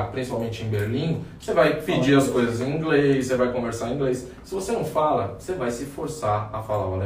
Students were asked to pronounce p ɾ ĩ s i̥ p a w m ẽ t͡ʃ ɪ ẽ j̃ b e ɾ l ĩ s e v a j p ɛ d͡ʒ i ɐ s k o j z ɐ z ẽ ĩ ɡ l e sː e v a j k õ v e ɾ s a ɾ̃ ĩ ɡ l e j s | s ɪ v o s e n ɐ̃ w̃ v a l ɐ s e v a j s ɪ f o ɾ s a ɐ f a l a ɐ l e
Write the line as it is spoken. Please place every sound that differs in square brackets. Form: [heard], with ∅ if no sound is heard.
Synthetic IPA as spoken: p ɾ ĩ s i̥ p a w m ẽ t͡ʃ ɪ ẽ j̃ b e ɾ l ĩ s e v a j p [i] d͡ʒ i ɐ s k o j z ɐ z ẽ ĩ ɡ l e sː e v a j k õ v e ɾ s a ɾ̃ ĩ ɡ l e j s | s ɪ v o s e n ɐ̃ w̃ [f] a l ɐ s e v a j s ɪ f o ɾ s a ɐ f a l a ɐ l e